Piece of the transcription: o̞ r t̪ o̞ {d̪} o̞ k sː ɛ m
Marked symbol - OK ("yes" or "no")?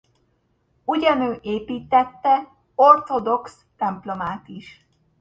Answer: yes